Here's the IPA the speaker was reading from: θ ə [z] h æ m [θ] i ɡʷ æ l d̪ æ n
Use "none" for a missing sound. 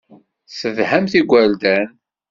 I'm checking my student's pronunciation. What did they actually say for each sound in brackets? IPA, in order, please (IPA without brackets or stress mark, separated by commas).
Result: ð, θ